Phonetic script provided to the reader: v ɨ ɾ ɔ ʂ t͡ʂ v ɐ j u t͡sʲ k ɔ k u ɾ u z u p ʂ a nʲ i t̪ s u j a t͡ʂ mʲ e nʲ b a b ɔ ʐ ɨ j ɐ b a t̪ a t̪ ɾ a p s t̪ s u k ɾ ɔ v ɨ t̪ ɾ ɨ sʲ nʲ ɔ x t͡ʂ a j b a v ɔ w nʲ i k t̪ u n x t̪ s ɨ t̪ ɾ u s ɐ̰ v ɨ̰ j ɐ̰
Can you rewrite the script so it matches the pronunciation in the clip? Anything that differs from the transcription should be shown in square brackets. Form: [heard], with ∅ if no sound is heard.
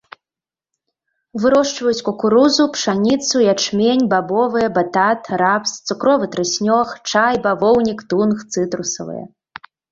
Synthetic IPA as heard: v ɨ ɾ ɔ ʂ t͡ʂ v ɐ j u t͡sʲ k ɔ k u ɾ u z u p ʂ a nʲ i t̪ s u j a t͡ʂ mʲ e nʲ b a b ɔ [v] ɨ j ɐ b a t̪ a t̪ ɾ a p s t̪ s u k ɾ ɔ v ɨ t̪ ɾ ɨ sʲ nʲ ɔ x t͡ʂ a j b a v ɔ w nʲ i k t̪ u n x t̪ s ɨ t̪ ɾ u s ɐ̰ v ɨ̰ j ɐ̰